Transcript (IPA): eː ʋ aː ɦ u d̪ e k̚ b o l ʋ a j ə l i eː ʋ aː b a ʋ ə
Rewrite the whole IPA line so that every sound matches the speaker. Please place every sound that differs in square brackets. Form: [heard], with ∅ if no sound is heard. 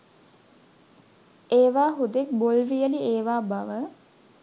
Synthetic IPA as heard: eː ʋ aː ɦ u d̪ e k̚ b o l ʋ [i] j ə l i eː ʋ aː b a ʋ ə